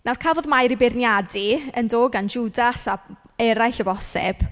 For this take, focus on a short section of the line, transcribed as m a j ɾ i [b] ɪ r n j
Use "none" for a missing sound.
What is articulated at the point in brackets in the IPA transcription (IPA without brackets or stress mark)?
b